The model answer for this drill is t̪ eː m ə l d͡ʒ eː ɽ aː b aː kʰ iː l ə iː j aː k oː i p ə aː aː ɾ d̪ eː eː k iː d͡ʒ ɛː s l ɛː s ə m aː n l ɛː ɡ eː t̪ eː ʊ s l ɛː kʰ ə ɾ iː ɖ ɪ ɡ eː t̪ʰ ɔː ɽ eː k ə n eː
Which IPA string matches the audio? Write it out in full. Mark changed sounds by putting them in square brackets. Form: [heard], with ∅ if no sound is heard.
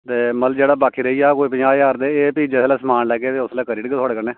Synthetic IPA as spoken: t̪ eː m ə l d͡ʒ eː ɽ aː b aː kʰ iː [ɾ] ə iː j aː k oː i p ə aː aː ɾ d̪ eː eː [p] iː d͡ʒ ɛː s l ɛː s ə m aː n l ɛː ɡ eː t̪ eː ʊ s l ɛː [k] ə ɾ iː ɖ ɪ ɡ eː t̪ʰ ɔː ɽ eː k ə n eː